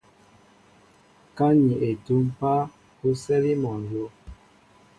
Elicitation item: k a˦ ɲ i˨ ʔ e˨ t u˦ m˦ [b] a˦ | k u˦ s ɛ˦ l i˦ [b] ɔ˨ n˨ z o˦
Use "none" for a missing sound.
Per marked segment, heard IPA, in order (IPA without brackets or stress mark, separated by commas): p, m